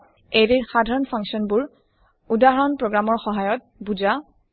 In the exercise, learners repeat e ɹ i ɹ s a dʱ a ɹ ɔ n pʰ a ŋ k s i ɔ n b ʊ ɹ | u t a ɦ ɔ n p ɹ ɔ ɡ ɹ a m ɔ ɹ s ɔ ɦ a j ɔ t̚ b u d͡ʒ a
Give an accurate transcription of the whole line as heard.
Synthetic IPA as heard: e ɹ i ɹ x a dʱ a ɹ ɔ n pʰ a ŋ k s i ɔ n b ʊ ɹ | u d a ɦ ɔ n p ɹ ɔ ɡ ɹ a m ɔ ɹ x ɔ ɦ a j ɔ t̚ b u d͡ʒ a